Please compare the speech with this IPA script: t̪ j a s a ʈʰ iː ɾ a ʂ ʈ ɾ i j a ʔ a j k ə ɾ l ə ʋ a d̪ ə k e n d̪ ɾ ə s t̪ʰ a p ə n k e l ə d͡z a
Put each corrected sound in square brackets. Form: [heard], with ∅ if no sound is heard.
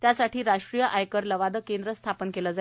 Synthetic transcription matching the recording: t̪ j a s a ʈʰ iː ɾ a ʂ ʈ ɾ i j [ə] ʔ a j k ə ɾ l ə ʋ a d̪ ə k e n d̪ ɾ ə s t̪ʰ a p ə n k e l ə d͡z a